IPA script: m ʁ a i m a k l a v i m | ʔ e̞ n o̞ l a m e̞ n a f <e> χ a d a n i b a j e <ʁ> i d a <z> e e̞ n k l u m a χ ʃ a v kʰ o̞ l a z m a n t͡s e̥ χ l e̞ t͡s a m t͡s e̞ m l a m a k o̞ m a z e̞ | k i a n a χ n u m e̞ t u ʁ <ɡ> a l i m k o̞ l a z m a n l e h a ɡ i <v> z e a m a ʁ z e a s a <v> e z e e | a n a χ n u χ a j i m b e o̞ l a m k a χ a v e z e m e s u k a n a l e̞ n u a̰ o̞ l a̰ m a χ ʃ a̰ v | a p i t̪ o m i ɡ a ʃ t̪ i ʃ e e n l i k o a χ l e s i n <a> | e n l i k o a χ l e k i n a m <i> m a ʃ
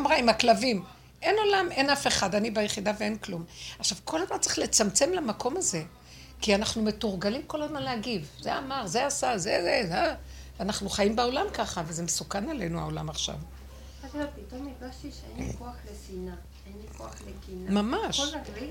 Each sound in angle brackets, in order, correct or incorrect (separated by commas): correct, incorrect, incorrect, correct, correct, incorrect, correct, incorrect